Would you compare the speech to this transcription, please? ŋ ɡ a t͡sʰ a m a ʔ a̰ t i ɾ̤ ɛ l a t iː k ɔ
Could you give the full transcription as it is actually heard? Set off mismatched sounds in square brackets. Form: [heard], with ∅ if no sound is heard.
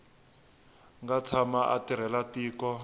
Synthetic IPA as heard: ŋ ɡ a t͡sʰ a m a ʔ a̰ t i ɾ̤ ɛ l a t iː k ɔ